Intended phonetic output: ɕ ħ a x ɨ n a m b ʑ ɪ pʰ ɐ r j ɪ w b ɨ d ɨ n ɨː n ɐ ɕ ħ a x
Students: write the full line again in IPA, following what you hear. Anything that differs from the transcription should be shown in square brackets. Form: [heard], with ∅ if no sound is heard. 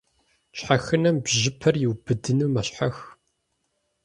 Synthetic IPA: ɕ ħ a x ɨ n [ɐ] m b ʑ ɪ pʰ ɐ r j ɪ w b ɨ d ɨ n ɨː [m] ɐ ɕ ħ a x